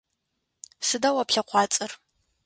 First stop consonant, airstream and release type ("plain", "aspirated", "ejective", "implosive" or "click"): plain